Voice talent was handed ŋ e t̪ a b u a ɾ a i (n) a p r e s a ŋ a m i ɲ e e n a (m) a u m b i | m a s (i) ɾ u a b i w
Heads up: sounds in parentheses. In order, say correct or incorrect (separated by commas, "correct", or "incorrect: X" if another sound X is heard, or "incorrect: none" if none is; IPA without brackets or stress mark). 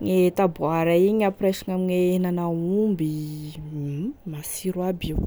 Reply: incorrect: ɲ, incorrect: n, correct